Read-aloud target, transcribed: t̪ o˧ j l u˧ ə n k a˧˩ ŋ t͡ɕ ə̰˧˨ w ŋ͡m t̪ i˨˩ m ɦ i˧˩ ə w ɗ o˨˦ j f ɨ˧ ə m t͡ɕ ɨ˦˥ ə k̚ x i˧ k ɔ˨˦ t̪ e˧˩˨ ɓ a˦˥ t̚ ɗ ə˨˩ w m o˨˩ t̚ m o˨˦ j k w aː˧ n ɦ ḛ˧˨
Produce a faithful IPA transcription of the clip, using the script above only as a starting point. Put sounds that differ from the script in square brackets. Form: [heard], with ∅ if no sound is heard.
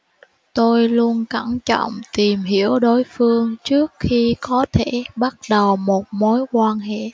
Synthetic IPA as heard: t̪ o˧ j l u˧ ə n k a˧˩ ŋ t͡ɕ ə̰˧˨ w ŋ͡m t̪ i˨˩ m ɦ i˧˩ ə w ɗ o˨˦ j f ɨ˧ ə [ŋ] t͡ɕ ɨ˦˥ ə k̚ x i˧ k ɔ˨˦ [t̪ʰ] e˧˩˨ ɓ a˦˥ t̚ ɗ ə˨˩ w m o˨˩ t̚ m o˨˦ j k w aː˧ n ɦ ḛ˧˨